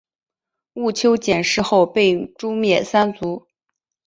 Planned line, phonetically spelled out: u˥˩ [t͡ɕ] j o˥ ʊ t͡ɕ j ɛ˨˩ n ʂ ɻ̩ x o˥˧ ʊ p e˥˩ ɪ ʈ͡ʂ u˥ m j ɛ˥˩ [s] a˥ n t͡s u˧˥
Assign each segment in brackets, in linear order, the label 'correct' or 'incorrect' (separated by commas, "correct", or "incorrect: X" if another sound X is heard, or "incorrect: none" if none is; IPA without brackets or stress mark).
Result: incorrect: t͡ɕʰ, correct